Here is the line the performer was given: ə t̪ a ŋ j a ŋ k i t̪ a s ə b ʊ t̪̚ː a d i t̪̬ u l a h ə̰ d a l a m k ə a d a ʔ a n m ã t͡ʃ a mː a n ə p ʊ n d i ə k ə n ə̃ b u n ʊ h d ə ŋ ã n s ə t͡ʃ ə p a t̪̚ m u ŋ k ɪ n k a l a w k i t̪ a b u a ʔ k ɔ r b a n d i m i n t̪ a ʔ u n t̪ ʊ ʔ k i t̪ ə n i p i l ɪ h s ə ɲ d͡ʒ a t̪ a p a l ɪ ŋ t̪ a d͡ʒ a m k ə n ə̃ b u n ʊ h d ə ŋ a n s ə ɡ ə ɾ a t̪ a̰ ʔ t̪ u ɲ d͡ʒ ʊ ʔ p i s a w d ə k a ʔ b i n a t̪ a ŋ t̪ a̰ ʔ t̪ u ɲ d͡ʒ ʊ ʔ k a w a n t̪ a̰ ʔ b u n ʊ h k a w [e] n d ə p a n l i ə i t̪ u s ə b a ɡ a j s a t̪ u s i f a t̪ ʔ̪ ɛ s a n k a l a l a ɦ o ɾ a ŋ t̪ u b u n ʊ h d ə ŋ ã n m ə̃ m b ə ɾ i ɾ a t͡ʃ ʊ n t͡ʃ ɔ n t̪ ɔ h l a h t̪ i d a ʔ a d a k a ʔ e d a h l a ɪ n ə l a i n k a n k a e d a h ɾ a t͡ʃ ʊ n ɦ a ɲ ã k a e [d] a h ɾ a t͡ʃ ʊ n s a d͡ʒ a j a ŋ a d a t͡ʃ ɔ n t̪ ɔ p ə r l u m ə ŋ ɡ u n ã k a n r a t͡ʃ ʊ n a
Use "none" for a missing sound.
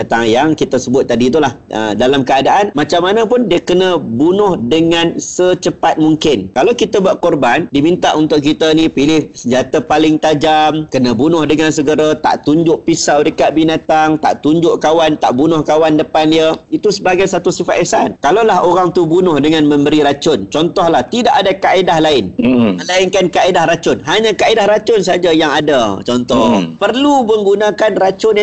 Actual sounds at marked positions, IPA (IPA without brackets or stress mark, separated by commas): a, d